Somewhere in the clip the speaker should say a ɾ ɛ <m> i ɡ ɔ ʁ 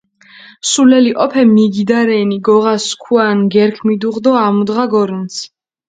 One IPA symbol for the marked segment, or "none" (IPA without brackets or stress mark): n